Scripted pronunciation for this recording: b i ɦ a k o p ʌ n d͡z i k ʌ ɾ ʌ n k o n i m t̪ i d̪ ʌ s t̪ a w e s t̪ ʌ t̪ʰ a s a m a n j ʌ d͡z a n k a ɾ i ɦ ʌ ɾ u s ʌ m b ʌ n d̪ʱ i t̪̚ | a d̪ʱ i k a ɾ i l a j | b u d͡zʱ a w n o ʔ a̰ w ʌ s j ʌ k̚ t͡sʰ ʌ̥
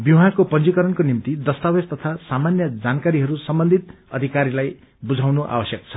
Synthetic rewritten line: b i ɦ a k o p ʌ n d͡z i k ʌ ɾ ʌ n k o n i m t̪ i d̪ ʌ s t̪ a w e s t̪ ʌ t̪ʰ a s a m a n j ʌ d͡z a n k a ɾ i ɦ ʌ ɾ u s ʌ m b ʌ n d̪ʱ i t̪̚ | ʌ d̪ʱ i k a ɾ i l a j | b u d͡zʱ a w n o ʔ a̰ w ʌ s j ʌ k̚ t͡sʰ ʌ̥